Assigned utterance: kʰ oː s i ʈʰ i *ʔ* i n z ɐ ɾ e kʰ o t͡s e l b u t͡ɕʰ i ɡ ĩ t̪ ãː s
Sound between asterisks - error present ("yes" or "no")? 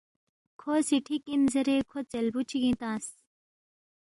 yes